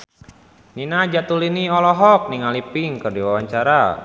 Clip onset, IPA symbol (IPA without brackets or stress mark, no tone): n